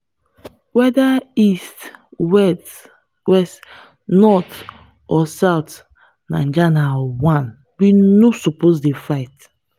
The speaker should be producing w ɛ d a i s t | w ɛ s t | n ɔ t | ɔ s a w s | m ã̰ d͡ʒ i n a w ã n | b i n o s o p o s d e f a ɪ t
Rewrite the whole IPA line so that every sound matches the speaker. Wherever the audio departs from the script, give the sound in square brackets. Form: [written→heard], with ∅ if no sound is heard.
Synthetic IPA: w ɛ d a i s t | w ɛ s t | n ɔ t | ɔ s a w [s→t] | [m→n] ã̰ d͡ʒ [i→a] n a w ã n | b i n o s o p o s d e f a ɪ t